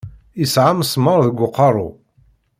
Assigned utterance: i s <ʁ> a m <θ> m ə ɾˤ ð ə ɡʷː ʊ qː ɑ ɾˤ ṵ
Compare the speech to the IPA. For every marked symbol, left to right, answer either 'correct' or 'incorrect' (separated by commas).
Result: incorrect, incorrect